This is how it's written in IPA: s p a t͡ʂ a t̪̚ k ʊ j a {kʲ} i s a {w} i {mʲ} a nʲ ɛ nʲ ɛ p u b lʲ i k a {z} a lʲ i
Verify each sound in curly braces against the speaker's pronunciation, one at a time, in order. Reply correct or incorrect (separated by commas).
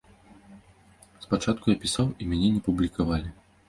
incorrect, correct, correct, incorrect